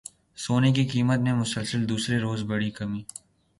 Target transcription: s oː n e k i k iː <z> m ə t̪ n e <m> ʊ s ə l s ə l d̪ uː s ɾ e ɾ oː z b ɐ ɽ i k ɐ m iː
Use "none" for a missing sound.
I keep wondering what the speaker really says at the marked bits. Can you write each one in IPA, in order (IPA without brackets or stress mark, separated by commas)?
none, m